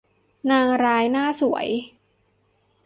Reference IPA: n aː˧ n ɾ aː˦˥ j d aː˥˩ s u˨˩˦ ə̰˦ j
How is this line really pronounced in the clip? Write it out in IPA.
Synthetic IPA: n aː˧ ŋ ɾ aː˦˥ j n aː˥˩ s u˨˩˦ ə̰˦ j